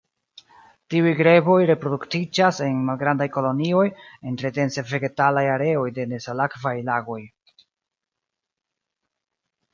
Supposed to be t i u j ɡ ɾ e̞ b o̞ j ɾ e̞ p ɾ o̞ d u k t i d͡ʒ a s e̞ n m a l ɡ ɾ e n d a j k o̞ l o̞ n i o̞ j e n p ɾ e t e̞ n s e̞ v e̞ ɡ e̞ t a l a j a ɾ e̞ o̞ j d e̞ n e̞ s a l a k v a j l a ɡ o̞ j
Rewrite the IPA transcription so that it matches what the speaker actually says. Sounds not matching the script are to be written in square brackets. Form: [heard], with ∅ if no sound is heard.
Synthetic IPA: t i u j ɡ ɾ e̞ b o̞ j ɾ e̞ p ɾ o̞ d u k t i d͡ʒ a s e̞ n m a l ɡ ɾ [a] n d a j k o̞ l o̞ n i o̞ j e n [t] ɾ e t e̞ n s e̞ v e̞ ɡ e̞ t a l a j a ɾ e̞ o̞ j d e̞ n e̞ s a l a k v a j l a ɡ o̞ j